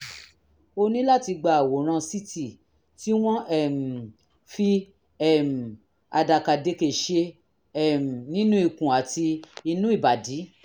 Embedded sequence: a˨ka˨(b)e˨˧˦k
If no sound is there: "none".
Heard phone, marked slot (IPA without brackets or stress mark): d